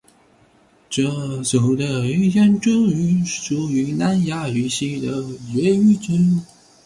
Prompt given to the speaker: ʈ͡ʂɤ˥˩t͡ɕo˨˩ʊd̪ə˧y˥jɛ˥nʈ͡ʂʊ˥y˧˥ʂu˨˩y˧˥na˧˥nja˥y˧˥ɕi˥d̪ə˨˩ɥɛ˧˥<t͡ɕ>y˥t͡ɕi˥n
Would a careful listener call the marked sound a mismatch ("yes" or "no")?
yes